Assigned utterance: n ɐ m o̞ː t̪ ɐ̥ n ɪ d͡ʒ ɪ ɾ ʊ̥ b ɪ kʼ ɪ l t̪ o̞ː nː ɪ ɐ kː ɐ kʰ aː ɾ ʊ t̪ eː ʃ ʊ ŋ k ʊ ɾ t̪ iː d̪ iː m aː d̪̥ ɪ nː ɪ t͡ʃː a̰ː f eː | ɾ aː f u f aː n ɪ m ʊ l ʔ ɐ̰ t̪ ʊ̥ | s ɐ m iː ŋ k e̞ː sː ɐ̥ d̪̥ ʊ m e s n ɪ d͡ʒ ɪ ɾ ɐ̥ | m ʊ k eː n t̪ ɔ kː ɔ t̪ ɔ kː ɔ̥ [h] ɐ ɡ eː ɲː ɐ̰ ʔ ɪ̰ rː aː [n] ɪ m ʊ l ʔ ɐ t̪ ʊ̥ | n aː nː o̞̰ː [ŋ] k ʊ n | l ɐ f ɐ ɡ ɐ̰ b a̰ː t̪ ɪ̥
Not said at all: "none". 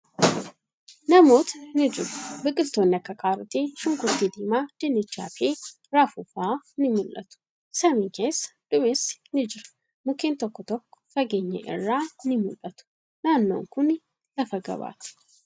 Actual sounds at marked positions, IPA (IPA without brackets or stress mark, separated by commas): f, n, ŋ